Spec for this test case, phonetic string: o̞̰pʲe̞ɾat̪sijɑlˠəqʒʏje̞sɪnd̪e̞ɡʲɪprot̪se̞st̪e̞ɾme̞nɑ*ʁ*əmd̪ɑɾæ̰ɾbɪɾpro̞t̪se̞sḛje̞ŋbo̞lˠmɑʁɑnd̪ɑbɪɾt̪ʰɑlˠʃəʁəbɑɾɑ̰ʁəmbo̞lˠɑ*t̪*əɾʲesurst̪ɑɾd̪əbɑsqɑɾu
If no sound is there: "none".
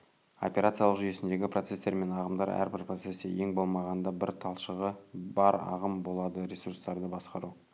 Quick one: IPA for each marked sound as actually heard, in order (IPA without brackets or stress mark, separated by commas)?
ʁ, d̪